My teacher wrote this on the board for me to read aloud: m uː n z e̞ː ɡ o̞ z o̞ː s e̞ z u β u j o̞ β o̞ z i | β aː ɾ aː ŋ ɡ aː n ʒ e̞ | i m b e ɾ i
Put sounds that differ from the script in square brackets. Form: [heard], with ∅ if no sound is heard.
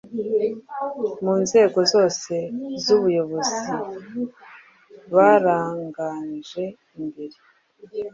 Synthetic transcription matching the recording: m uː n z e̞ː ɡ o̞ z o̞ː s e̞ z u β u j o̞ β o̞ z i | β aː ɾ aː ŋ ɡ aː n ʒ e̞ | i m b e ɾ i

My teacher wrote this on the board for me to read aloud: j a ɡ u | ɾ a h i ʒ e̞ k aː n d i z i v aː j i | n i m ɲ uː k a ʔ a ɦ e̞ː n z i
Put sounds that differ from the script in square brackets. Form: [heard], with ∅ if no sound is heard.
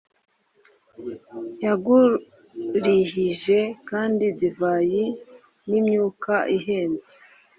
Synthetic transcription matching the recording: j a ɡ u | ɾ [i] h i ʒ e̞ k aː n d i z i v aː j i | n i m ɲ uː k a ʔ [i] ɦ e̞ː n z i

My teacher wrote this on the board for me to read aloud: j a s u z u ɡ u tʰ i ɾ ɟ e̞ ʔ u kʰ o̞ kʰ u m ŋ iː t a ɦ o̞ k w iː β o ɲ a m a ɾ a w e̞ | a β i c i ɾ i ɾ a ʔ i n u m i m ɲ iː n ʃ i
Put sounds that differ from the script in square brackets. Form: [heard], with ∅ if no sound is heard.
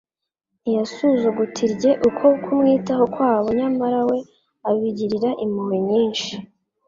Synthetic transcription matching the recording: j a s u z u ɡ u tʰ i ɾ ɟ e̞ ʔ u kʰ o̞ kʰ u m ŋ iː t a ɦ o̞ k w [aː] β o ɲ a m a ɾ a w e̞ | a β i [ɟ] i ɾ i ɾ a ʔ i [m] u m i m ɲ iː n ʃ i

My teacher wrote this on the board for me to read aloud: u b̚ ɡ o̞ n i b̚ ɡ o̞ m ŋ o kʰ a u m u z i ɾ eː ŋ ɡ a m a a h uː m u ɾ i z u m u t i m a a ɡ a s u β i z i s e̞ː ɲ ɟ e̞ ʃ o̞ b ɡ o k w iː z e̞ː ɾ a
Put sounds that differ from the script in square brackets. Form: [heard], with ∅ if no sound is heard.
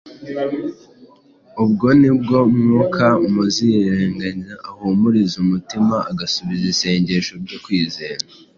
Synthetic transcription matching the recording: u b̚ ɡ o̞ n i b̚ ɡ o̞ m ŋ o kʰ a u m u z i ɾ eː ŋ ɡ a [ɲ] a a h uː m u ɾ i z u m u t i m a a ɡ a s u β i z i s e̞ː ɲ ɟ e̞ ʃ o̞ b [ɟ] o k w iː z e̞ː ɾ a

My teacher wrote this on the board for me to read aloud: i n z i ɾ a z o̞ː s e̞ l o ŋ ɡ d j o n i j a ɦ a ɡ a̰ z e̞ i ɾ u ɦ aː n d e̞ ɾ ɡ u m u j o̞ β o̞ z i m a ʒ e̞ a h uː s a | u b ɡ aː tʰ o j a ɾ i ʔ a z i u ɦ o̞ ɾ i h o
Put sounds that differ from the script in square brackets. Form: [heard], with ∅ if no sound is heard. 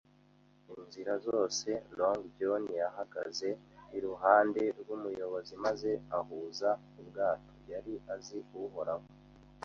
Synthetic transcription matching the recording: i n z i ɾ a z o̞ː s e̞ l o ŋ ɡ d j o n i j a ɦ a ɡ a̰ z e̞ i ɾ u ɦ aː n d e̞ ɾ ɡ u m u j o̞ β o̞ z i m a [z] e̞ a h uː [z] a | u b ɡ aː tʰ o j a ɾ i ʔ a z i u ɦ o̞ ɾ [a] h o

